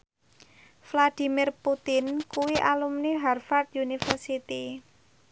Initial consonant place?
labial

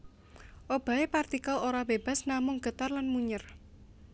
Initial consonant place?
glottal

